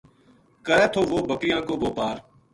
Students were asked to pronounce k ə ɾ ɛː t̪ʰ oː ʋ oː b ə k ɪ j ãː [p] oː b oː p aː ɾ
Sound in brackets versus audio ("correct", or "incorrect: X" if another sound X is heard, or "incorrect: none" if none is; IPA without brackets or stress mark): incorrect: k